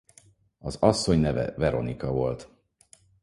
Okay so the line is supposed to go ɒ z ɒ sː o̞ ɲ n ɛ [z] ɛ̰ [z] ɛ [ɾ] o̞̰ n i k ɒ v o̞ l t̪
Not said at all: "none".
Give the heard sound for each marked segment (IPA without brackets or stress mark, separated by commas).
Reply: v, v, ɾ